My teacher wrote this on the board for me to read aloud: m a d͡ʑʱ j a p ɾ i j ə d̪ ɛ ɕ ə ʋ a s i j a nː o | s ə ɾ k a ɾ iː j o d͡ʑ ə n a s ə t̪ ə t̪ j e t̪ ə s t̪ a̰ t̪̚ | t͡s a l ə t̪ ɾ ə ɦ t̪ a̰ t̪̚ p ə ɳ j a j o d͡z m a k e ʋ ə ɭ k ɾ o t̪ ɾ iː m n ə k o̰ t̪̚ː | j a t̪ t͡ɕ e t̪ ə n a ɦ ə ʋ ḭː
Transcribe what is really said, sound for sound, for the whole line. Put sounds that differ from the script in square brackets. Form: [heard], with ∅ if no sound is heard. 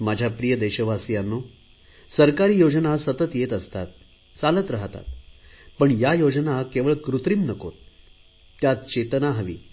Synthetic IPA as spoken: m a d͡ʑʱ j a p ɾ i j ə d̪ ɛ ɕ ə ʋ a s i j a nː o | s ə ɾ k a ɾ iː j o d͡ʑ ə n a s ə t̪ ə t̪ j e t̪ ə s t̪ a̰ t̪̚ | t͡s a l ə t̪ ɾ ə ɦ t̪ a̰ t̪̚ p ə ɳ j a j o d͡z [n] a k e ʋ ə ɭ k ɾ [u] t̪ ɾ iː m n ə k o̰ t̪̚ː | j a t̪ t͡ɕ e t̪ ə n a ɦ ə ʋ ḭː